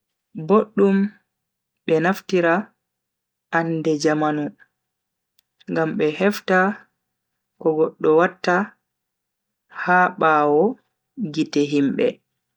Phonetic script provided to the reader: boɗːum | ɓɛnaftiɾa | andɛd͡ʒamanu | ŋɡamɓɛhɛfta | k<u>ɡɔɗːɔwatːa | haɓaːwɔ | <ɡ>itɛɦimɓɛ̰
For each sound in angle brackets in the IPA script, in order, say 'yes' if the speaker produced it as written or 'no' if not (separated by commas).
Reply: no, yes